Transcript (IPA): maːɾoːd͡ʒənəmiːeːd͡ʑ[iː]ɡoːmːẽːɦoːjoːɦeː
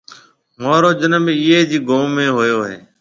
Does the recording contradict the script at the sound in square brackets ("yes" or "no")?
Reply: no